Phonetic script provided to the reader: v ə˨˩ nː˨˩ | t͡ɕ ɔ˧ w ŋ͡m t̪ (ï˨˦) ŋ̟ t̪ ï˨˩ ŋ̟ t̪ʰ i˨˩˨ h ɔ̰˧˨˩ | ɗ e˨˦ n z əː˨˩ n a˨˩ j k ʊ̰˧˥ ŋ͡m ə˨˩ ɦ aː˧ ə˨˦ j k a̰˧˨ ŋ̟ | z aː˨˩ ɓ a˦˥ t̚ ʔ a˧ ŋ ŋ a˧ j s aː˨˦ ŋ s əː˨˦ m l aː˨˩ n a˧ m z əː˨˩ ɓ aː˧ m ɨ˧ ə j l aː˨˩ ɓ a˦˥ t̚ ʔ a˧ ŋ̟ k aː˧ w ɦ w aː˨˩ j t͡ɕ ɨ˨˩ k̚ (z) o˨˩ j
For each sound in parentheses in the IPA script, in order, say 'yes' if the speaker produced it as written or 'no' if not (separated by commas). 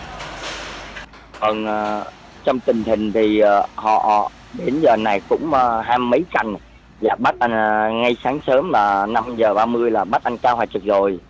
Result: no, yes